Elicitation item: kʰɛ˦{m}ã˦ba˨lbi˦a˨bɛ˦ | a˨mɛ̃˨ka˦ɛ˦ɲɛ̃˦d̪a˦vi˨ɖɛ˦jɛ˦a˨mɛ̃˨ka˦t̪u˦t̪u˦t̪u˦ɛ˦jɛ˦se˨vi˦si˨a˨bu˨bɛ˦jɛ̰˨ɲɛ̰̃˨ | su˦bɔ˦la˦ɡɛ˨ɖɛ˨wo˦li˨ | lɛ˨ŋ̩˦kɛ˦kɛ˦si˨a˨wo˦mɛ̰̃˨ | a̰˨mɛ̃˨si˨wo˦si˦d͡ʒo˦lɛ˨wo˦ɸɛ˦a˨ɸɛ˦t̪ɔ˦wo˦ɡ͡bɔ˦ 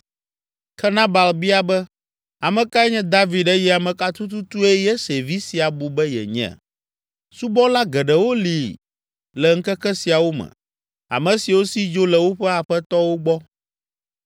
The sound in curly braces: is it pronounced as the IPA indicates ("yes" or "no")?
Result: no